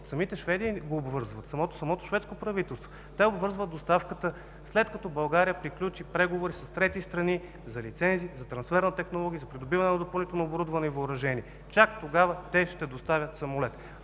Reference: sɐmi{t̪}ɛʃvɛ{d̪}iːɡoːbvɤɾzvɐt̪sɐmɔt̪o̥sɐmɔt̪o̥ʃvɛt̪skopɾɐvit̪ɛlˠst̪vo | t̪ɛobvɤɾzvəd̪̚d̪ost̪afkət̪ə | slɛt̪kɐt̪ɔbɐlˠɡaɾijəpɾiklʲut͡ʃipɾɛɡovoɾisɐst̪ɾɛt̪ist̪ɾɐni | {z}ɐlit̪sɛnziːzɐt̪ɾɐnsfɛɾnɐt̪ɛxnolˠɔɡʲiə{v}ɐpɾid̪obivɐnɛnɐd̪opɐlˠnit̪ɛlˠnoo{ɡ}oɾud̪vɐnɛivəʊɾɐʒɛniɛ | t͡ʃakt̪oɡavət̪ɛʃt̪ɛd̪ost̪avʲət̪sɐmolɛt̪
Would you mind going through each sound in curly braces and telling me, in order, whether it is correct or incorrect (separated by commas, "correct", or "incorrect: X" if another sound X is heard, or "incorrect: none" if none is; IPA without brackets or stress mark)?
correct, correct, correct, incorrect: z, incorrect: b